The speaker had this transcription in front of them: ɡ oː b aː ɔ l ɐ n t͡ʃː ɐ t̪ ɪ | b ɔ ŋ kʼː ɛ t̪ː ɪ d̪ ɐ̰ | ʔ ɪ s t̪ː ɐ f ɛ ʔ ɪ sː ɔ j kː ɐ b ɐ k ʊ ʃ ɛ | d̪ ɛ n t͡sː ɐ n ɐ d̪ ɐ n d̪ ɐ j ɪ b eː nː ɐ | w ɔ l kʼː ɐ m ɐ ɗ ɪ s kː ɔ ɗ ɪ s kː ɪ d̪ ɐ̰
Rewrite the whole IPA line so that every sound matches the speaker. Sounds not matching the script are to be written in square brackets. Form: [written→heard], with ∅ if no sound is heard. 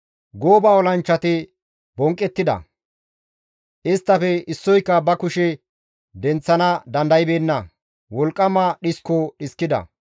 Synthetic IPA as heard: ɡ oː b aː ɔ l ɐ n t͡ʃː ɐ t̪ ɪ | b ɔ ŋ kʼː ɛ t̪ː ɪ d̪ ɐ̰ | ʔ ɪ s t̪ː ɐ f ɛ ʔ ɪ sː ɔ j kː ɐ b ɐ k ʊ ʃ ɛ | d̪ ɛ n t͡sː ɐ n ɐ d̪ ɐ n d̪ ɐ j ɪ b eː nː ɐ | w ɔ l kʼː ɐ m ɐ ɗ ɪ s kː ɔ ɗ ɪ s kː ɪ d̪ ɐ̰